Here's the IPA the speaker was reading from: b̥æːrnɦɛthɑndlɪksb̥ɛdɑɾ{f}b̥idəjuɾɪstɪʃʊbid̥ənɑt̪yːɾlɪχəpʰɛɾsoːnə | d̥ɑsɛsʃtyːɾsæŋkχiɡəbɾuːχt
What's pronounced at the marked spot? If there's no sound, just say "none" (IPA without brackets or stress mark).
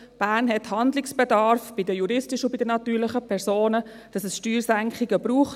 f